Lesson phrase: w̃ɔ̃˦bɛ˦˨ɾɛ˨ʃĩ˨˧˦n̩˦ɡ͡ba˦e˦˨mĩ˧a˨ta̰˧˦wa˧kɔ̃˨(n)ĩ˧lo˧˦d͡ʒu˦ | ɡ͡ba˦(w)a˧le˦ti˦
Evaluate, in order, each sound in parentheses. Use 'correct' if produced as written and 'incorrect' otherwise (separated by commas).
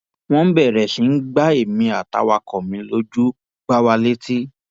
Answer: incorrect, correct